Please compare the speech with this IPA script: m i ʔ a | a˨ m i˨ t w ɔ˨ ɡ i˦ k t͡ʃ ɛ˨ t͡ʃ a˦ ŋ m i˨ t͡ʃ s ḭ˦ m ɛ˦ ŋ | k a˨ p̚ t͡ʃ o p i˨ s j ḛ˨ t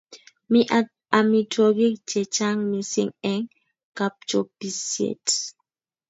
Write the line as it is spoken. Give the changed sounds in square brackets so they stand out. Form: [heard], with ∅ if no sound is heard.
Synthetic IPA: m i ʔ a | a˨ m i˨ t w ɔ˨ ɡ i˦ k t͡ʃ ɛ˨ t͡ʃ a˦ ŋ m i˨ [∅] s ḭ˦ [ŋ] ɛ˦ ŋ | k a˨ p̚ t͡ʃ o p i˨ s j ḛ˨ t